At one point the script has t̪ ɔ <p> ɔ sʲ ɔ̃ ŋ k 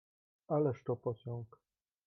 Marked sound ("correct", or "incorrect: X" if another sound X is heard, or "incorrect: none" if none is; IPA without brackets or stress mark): correct